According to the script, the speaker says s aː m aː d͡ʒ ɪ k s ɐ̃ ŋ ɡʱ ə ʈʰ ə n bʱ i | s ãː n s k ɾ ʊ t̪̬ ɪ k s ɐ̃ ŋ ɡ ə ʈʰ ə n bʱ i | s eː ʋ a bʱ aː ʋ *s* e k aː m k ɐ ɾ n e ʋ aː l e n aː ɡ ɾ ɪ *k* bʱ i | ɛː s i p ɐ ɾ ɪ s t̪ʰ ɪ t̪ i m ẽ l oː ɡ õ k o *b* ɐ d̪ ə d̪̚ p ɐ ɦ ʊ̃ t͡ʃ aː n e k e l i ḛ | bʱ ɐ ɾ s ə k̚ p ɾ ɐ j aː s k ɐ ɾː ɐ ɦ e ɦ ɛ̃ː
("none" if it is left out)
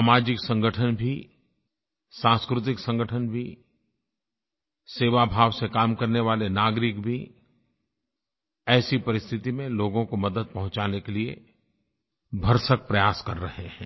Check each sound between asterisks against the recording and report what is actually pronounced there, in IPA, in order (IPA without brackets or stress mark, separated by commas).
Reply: s, k, m